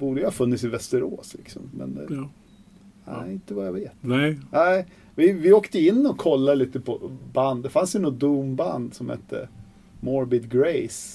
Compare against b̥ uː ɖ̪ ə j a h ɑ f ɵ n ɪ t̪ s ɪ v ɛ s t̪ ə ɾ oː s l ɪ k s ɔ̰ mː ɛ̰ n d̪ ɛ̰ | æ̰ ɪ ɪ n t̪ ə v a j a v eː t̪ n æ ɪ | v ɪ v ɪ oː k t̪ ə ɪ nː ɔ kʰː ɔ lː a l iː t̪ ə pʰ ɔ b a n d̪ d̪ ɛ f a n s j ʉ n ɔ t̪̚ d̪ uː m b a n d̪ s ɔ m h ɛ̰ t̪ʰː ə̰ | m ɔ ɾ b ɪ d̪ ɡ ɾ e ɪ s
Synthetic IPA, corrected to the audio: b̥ uː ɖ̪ ə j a h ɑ f ɵ nː ɪ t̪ s ɪ v ɛ s t̪ ə ɾ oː s l ɪ k s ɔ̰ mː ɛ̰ n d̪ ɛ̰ | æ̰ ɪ ɪ n t̪ ə v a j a v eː t̪ n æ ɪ | v ɪ v ɪ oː k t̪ ə ɪ nː ɔ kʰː ɔ lː a l iː t̪ ə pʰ ɔ b a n d̪ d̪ ɛ f a n s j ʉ n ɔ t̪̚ d̪ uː m b a n d̪ s ɔ m h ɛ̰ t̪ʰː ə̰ | m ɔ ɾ b ɪ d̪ ɡ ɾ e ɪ s